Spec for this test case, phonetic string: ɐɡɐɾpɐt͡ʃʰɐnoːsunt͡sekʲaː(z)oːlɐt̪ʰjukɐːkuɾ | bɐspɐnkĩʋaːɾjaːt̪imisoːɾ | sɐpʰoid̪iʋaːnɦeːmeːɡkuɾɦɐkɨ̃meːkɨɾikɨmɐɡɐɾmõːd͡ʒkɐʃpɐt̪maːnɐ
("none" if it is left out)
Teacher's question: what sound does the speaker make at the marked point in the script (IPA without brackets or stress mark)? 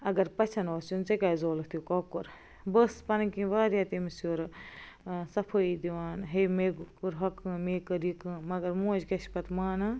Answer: z